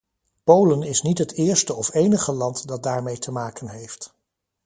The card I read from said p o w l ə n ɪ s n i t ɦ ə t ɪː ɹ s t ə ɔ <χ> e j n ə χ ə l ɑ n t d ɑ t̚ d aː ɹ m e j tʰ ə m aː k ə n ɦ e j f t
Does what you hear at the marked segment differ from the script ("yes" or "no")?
yes